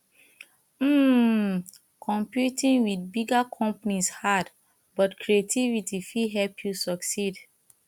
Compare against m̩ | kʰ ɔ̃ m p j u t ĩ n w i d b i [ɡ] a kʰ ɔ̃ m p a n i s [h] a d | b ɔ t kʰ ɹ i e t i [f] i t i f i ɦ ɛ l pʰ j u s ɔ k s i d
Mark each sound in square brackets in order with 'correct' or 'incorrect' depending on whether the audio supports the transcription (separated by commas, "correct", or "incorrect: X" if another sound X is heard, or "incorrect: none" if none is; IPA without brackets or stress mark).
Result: correct, correct, incorrect: v